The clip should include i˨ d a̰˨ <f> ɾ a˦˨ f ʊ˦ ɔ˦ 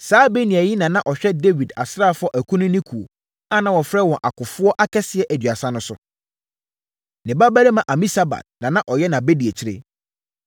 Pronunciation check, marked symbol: incorrect: s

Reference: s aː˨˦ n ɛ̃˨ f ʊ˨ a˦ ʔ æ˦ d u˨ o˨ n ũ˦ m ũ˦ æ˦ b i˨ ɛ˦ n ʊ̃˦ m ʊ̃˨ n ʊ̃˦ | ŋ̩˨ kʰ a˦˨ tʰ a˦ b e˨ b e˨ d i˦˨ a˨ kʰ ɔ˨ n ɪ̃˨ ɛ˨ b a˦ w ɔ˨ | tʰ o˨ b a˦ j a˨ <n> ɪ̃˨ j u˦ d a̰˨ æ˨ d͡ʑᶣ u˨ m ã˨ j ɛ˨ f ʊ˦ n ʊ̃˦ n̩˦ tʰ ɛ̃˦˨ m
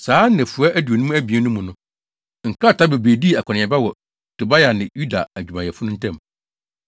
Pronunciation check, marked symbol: correct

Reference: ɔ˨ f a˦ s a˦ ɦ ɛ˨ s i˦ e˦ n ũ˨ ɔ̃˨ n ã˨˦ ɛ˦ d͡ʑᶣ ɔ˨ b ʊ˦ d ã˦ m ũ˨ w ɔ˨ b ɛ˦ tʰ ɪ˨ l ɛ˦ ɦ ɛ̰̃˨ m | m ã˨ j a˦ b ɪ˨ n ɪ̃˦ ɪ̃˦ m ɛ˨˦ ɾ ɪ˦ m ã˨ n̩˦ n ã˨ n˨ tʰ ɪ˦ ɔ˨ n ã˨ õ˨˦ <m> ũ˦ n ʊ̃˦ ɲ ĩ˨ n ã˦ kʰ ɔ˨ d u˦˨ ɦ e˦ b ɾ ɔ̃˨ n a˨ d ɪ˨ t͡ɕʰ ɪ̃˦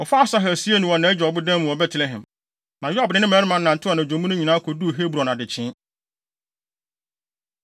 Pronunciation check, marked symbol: correct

